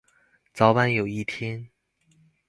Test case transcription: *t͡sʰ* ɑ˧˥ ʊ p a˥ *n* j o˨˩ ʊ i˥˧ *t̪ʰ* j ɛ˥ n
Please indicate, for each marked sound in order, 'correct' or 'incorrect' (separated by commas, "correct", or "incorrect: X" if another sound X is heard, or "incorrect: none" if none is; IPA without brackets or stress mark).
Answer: incorrect: t͡s, correct, correct